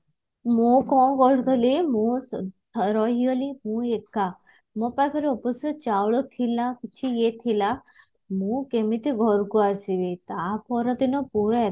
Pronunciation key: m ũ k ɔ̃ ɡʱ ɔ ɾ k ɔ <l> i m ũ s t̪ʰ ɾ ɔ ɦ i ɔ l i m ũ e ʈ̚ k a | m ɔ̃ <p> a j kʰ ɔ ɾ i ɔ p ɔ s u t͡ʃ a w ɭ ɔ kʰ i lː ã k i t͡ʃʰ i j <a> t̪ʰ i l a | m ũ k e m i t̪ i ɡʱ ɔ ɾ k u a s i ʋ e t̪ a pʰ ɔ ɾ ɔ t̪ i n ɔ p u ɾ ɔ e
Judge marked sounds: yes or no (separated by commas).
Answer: yes, yes, no